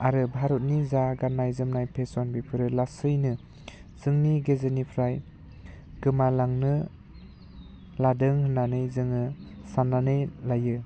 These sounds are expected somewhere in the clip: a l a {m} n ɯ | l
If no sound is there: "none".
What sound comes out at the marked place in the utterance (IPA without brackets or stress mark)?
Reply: ŋ